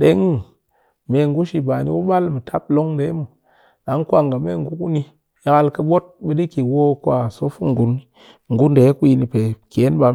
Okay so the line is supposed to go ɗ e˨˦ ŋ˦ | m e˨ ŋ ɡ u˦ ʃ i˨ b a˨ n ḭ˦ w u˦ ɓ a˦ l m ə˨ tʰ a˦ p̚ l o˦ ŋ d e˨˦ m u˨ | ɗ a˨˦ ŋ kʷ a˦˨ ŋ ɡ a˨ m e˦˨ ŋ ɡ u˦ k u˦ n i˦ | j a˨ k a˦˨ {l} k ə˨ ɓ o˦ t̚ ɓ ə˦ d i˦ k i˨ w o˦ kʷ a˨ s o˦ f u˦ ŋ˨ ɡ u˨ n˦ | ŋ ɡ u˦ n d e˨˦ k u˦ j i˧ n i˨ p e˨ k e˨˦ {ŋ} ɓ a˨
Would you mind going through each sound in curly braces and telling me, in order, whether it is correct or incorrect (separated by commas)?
correct, incorrect